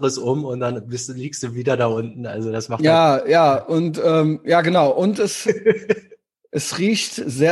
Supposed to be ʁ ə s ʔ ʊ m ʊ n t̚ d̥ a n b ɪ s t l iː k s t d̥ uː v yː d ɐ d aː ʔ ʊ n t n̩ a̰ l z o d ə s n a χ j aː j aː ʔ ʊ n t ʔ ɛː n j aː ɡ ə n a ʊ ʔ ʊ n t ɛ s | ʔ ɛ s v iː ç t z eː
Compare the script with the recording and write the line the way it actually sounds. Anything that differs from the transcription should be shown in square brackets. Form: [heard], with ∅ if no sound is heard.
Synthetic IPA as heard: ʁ ə s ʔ ʊ m ʊ n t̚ d̥ a n b ɪ s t l iː k s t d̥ uː v [iː] d ɐ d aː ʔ ʊ n t n̩ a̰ l z o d [a] s [m] a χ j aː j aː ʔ ʊ n t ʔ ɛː [m] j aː ɡ ə n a ʊ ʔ ʊ n t ɛ s | ʔ ɛ s [ʁ] iː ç t z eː